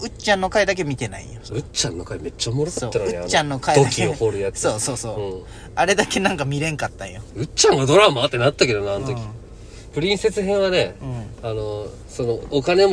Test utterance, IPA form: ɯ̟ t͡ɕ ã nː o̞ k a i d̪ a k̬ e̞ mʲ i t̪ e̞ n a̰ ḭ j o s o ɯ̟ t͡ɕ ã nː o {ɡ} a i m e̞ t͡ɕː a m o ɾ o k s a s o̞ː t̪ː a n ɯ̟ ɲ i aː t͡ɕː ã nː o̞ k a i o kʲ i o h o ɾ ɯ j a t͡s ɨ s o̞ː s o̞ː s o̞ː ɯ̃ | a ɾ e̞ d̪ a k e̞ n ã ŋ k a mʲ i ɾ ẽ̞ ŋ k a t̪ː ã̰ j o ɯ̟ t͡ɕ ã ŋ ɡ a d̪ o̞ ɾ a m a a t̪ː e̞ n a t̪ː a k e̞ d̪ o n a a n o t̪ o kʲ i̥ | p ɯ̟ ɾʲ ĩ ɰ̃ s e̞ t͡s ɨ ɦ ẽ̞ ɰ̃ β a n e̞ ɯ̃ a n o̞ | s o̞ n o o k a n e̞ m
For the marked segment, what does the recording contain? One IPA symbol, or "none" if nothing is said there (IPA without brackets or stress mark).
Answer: k